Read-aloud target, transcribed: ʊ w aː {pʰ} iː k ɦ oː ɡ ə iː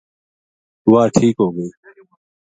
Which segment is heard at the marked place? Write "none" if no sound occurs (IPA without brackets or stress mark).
ʈʰ